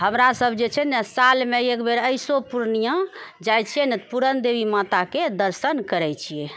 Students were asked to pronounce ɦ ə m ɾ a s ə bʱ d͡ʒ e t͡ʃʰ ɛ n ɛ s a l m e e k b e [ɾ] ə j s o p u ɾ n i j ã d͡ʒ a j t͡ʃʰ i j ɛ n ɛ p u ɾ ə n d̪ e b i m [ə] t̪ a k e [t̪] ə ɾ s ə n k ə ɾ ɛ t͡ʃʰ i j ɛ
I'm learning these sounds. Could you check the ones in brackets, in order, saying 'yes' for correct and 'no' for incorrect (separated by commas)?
yes, no, no